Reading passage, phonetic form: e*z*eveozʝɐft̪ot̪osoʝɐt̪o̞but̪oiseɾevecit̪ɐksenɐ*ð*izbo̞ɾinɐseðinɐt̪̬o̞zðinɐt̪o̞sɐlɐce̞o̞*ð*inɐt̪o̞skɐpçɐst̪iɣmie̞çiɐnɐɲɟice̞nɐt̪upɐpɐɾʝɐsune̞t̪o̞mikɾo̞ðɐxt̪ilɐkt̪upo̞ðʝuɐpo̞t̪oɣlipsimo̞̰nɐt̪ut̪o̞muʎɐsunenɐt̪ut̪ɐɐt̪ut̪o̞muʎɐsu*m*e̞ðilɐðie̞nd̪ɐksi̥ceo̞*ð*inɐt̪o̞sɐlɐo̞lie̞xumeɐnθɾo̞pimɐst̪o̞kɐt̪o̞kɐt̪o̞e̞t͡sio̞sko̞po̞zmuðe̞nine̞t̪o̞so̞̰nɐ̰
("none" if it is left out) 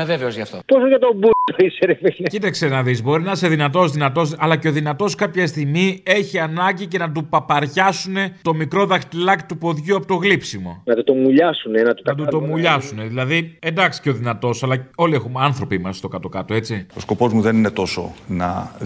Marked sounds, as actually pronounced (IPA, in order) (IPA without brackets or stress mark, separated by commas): v, ð, ð, n, ð